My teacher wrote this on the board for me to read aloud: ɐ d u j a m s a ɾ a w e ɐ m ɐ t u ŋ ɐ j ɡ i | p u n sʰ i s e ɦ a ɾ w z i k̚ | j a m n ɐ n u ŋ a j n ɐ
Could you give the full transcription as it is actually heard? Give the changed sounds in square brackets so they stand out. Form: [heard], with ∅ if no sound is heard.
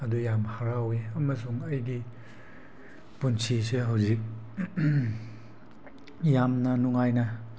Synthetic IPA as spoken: ɐ d u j a m [h] a ɾ a w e ɐ m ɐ [s] u ŋ ɐ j ɡ i | p u n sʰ i s e ɦ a [∅] w z i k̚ | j a m n ɐ n u ŋ a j n ɐ